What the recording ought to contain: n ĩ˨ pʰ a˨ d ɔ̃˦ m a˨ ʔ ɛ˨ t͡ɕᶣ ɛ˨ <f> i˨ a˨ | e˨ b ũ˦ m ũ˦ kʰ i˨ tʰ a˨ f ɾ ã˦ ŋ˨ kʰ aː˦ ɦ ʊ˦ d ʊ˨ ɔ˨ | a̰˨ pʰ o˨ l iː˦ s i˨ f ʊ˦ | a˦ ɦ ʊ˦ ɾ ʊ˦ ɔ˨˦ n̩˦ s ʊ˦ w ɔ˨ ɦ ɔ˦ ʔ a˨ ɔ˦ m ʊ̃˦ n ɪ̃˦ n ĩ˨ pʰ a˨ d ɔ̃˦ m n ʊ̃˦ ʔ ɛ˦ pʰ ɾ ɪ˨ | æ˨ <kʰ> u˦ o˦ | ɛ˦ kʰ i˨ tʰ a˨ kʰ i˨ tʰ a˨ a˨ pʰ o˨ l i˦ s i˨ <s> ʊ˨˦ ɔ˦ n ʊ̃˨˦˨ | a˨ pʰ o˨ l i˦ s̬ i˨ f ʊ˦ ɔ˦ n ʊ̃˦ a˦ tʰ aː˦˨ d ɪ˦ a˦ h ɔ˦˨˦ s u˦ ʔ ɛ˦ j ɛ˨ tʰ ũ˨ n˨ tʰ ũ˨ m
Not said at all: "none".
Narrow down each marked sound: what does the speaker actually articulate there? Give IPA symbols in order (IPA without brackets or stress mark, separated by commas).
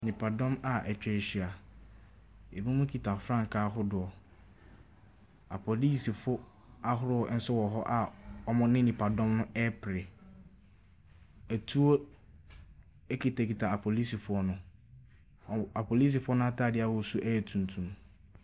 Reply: ɕ, tʰ, f